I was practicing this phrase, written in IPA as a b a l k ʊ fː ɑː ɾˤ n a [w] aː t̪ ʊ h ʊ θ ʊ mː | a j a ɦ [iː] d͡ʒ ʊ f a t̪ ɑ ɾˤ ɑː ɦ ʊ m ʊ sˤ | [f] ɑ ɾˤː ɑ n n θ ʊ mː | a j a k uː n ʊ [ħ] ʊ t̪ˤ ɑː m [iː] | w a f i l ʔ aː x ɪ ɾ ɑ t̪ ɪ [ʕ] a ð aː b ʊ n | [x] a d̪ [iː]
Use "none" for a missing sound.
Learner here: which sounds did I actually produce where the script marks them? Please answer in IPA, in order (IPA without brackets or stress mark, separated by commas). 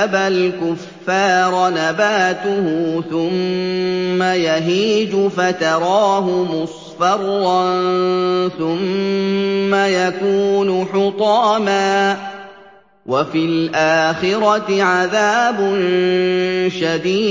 b, iː, f, ħ, aː, ʕ, ʃ, iː